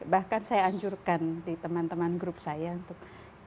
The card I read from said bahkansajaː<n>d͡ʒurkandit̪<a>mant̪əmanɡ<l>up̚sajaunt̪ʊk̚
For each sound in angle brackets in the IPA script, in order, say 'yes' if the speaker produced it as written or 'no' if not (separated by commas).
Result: no, no, no